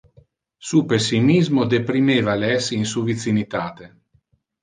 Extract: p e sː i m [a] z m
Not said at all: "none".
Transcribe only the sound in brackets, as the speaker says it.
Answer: i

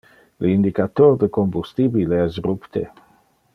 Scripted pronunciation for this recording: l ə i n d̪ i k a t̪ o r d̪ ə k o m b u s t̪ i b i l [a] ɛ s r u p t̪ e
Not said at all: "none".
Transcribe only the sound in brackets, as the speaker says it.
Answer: e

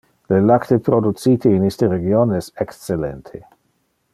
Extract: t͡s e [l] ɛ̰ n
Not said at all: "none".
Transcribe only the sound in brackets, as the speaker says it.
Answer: l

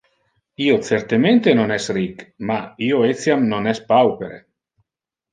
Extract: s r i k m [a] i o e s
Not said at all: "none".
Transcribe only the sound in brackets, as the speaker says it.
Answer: a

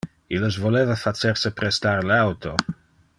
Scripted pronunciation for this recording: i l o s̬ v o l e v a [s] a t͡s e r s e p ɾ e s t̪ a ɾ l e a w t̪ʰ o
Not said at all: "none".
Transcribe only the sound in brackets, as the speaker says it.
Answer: f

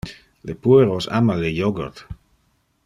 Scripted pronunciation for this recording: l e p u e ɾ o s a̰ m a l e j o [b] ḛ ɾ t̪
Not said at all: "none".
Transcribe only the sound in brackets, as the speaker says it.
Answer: ɡ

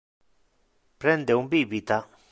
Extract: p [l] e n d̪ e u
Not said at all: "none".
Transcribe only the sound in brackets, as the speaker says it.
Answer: ɾ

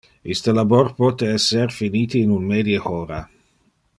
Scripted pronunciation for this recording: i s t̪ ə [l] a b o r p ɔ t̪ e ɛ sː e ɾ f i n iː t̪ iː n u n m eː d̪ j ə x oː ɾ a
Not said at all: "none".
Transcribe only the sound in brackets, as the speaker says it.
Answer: l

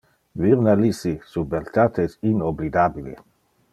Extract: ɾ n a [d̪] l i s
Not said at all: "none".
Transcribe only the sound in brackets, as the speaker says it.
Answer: none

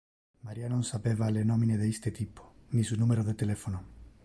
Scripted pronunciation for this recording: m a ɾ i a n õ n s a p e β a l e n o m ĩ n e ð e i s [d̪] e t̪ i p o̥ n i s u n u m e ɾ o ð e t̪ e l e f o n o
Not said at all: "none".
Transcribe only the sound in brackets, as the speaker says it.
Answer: t̪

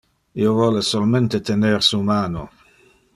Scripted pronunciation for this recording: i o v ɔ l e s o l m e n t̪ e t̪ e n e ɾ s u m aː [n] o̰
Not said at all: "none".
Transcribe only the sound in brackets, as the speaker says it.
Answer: n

